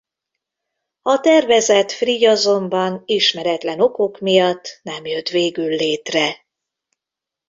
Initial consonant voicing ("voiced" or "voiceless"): voiceless